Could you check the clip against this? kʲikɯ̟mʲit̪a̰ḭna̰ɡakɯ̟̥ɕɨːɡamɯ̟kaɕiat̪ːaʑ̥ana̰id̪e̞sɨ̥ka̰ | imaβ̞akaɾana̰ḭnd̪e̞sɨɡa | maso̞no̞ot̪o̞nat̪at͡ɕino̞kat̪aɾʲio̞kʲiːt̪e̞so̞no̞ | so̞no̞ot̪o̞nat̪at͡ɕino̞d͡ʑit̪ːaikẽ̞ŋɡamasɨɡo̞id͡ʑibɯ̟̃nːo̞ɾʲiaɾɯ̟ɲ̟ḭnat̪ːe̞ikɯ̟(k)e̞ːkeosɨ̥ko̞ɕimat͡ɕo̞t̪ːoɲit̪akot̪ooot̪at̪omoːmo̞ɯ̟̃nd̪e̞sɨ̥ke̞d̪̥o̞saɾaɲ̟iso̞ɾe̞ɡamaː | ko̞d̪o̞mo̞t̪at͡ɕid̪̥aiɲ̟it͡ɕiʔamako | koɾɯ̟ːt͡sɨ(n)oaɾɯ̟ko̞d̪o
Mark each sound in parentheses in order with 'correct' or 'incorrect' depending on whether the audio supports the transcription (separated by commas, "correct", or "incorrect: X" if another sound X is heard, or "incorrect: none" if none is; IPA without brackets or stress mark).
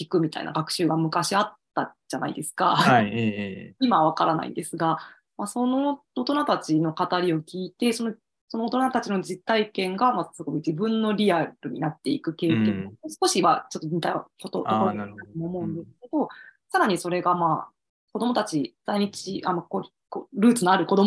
correct, correct